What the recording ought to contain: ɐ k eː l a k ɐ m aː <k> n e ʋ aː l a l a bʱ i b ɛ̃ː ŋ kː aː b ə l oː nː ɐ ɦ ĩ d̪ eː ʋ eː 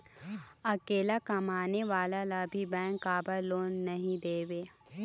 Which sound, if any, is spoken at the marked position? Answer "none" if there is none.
none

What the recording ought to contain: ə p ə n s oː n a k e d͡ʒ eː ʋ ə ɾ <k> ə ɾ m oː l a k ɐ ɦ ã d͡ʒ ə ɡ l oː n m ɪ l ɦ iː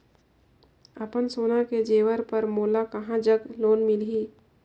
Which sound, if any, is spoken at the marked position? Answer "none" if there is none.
p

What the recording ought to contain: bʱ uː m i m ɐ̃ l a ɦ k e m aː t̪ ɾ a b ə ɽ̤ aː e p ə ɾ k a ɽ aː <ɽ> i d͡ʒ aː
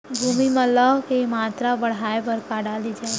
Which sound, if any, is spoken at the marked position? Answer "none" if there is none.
l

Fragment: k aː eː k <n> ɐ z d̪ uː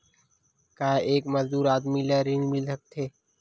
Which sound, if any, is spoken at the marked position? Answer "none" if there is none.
m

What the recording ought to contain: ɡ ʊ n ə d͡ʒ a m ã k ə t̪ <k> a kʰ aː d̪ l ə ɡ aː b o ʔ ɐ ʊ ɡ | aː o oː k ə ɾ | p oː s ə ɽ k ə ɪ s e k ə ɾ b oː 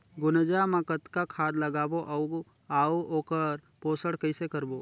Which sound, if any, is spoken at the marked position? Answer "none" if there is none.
k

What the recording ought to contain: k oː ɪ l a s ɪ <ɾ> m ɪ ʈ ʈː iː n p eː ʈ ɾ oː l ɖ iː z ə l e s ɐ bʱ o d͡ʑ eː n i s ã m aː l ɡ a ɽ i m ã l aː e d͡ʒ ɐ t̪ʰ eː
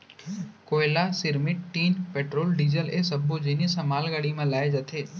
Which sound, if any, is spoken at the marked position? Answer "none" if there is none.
ɾ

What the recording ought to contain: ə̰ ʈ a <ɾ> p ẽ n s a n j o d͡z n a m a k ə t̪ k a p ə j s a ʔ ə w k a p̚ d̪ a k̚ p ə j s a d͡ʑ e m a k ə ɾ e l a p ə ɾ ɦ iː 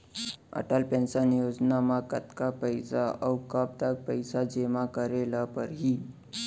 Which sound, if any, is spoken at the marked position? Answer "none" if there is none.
l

